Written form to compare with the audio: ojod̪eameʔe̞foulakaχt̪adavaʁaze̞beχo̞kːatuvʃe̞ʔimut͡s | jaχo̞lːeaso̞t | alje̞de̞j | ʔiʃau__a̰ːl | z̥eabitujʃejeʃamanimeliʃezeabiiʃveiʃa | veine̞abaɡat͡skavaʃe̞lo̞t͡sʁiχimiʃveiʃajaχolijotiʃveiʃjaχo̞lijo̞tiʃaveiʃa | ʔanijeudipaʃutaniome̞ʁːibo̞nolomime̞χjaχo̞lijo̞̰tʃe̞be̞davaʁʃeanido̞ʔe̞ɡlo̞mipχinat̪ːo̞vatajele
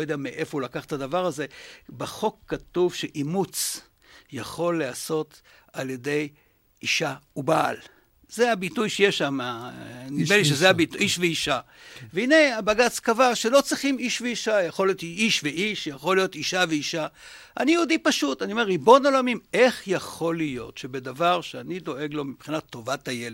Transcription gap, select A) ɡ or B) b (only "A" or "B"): B